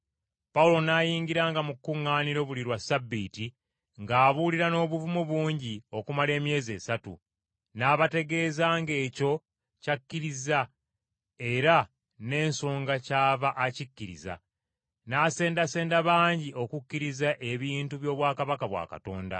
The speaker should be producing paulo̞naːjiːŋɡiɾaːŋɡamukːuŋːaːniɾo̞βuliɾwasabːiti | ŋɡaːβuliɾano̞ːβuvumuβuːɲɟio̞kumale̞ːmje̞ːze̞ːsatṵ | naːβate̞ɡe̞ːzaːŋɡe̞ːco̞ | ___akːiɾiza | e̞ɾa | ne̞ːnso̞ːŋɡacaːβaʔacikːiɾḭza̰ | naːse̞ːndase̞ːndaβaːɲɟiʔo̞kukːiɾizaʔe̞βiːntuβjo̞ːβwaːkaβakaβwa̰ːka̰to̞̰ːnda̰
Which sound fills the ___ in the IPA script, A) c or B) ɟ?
A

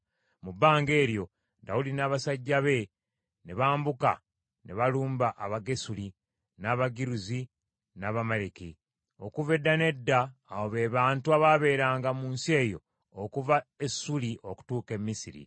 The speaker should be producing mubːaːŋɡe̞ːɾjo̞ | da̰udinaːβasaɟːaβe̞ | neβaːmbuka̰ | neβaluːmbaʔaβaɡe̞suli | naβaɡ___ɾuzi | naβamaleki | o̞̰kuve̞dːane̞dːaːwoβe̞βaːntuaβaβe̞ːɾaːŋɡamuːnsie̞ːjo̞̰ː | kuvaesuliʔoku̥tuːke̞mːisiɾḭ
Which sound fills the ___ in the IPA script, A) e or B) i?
B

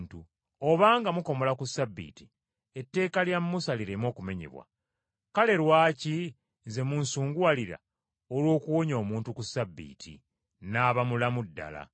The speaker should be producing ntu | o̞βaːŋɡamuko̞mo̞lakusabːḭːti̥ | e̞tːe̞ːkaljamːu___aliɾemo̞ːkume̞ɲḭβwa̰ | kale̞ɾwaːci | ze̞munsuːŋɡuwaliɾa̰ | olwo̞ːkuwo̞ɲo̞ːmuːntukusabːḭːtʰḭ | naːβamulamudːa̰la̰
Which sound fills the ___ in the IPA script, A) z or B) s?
B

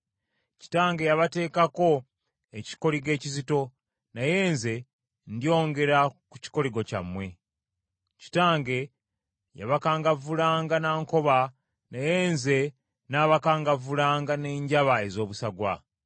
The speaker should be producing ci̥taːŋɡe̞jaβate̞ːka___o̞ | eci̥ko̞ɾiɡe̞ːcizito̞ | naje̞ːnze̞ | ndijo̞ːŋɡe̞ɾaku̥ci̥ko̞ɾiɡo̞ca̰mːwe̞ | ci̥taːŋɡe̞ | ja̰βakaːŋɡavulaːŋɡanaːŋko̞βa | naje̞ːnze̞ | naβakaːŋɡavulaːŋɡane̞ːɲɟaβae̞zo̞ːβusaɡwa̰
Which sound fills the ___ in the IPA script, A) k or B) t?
A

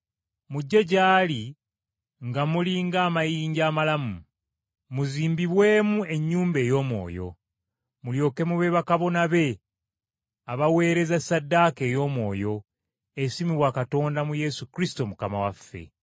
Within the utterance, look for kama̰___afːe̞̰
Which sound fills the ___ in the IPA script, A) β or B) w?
B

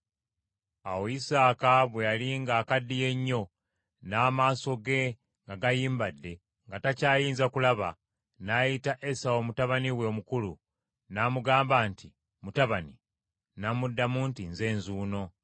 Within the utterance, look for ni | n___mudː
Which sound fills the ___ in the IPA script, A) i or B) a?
B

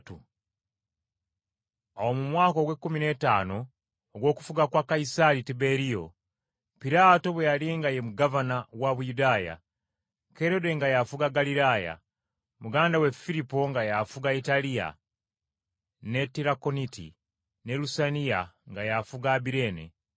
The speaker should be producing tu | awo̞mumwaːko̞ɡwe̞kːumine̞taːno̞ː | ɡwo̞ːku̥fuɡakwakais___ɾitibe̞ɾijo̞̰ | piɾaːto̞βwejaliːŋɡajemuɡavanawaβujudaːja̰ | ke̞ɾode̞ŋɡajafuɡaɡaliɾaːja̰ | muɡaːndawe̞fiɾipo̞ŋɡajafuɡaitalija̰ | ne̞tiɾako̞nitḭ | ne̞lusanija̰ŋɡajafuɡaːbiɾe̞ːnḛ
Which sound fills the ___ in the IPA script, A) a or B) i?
A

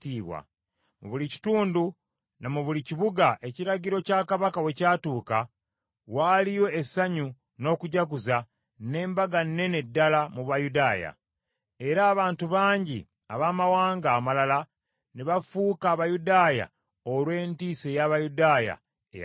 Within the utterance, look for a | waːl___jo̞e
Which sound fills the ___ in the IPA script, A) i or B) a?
A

